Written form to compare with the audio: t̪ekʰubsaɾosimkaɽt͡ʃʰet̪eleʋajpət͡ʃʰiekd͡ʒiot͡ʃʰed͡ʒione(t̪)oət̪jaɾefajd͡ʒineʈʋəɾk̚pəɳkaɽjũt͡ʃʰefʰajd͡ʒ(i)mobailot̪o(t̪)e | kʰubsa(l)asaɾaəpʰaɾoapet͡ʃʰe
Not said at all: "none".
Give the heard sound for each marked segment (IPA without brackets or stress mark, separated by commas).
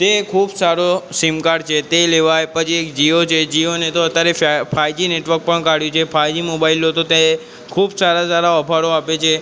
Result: t̪, i, t̪, ɾ